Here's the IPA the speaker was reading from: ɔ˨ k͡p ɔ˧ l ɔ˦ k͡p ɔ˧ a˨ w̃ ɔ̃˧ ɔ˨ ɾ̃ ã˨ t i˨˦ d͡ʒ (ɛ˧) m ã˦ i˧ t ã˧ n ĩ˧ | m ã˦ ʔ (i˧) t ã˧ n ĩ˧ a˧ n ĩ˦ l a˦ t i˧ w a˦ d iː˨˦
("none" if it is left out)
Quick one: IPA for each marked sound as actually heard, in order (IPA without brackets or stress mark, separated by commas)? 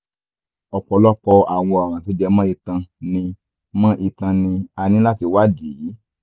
ɛ˧, i˧